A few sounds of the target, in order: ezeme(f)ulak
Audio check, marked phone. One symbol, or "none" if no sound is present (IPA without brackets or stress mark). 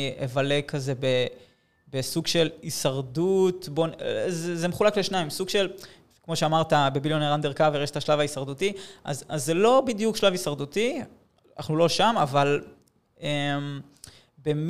χ